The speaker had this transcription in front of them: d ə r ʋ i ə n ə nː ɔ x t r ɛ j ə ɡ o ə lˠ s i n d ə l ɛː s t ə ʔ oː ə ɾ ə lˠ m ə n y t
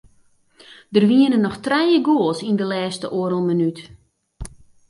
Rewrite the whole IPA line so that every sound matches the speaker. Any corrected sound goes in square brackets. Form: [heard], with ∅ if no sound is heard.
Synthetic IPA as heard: d ə r ʋ i ə n ə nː ɔ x t r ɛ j ə ɡ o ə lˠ s i n d ə l ɛː s t ə ʔ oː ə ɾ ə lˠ m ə n y t